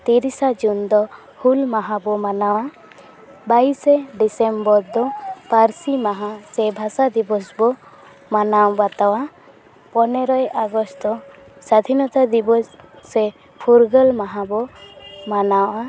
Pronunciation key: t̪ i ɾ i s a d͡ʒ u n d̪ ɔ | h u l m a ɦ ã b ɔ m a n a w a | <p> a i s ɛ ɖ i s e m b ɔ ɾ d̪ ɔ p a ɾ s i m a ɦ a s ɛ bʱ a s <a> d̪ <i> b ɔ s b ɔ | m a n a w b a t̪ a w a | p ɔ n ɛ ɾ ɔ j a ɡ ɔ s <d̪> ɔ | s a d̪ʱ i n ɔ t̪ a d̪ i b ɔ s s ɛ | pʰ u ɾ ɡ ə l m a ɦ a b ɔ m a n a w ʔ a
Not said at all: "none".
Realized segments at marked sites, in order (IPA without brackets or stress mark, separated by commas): b, a, i, t̪